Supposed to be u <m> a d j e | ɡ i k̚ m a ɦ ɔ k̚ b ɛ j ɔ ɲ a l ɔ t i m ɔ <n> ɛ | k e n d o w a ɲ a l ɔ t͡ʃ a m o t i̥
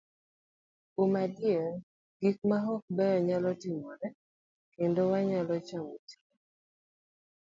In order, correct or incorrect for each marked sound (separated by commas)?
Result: correct, correct